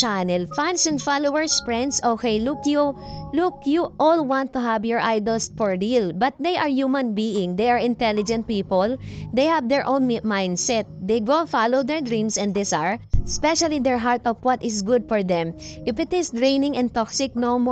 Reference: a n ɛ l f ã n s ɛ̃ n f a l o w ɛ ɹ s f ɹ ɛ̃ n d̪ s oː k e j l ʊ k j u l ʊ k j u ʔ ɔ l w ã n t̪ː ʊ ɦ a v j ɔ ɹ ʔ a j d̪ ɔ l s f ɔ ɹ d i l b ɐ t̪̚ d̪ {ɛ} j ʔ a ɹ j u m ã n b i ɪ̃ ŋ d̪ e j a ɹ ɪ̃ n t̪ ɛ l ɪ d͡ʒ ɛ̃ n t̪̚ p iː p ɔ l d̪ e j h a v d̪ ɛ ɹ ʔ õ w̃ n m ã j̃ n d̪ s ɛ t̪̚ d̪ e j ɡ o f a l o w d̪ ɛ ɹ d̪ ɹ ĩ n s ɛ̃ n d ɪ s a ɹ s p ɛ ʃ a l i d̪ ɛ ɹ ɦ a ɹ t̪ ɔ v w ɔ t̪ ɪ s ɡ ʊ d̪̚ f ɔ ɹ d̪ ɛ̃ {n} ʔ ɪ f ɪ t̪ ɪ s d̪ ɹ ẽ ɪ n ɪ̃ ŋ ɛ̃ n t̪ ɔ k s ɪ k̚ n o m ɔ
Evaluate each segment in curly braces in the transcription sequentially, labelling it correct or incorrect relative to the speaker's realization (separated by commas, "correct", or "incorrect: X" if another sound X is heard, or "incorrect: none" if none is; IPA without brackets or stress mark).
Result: incorrect: e, incorrect: m